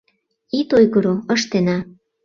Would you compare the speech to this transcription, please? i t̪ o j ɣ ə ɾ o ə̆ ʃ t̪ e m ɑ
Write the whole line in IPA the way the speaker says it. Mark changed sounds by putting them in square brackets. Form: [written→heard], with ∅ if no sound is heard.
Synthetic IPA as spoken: i t̪ o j ɣ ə ɾ o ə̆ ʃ t̪ e [m→n] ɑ